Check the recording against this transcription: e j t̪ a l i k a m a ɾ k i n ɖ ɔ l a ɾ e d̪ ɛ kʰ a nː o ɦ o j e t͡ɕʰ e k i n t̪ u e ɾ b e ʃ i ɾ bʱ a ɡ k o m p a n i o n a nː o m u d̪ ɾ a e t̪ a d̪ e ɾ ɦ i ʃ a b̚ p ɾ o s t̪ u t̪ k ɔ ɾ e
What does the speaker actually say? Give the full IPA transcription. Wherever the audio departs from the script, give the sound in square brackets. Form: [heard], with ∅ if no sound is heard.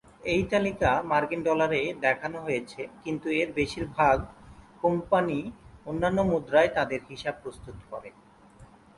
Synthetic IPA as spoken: e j t̪ a l i k a m a ɾ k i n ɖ ɔ l a ɾ e d̪ ɛ kʰ a [n] o ɦ o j e t͡ɕʰ e k i n t̪ u e ɾ b e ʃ i ɾ bʱ a ɡ k o m p a n i o [nː] a nː o m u d̪ ɾ a e t̪ a d̪ e ɾ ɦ i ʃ a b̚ p ɾ o s t̪ u t̪ k ɔ ɾ e